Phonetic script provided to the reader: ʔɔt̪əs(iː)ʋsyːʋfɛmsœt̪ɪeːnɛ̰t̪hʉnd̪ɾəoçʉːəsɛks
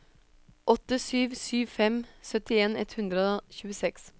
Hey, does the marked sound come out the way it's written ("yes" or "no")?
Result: no